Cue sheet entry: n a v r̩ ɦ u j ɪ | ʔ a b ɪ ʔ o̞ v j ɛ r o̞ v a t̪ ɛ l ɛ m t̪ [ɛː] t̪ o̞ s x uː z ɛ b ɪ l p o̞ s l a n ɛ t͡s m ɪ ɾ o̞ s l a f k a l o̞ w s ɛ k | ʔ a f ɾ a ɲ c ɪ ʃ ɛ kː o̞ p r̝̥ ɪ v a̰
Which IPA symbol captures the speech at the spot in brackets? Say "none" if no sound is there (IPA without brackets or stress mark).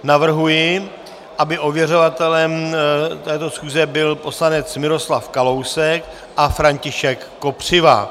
ɛː